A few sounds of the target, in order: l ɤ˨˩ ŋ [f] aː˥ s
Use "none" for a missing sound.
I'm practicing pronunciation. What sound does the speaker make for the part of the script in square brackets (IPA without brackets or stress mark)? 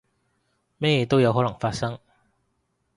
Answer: f